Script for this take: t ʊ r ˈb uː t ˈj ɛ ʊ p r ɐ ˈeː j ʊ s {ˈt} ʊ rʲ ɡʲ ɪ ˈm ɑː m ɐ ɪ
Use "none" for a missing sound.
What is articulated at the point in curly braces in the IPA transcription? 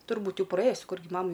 k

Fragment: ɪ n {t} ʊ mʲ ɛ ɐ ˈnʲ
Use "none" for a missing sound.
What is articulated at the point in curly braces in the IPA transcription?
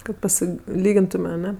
t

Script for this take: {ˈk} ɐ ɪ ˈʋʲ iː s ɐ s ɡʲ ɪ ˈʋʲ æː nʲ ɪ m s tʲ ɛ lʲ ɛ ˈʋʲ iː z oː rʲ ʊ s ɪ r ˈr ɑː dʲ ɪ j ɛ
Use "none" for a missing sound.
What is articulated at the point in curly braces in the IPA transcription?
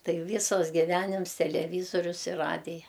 t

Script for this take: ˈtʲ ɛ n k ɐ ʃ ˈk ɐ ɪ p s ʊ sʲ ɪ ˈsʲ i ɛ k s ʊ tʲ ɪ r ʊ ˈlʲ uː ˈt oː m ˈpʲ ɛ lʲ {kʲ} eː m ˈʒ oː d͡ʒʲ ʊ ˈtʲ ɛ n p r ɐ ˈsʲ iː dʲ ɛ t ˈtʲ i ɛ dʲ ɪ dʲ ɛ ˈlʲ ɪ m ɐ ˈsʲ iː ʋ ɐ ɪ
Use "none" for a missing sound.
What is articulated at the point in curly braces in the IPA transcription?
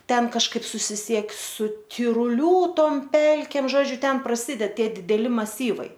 kʲ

